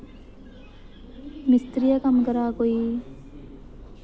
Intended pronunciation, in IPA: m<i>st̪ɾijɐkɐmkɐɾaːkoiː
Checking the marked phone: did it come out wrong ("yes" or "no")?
no